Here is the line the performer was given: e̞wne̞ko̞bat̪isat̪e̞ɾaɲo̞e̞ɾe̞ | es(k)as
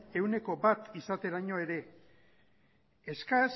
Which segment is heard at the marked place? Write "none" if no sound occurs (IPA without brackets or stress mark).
k